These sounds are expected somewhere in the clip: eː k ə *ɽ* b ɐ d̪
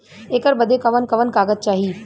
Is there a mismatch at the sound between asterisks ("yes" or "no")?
yes